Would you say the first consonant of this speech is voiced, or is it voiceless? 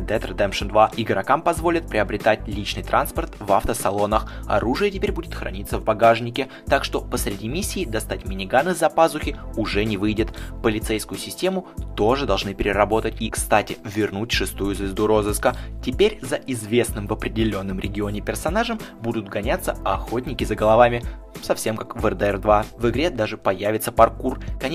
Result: voiced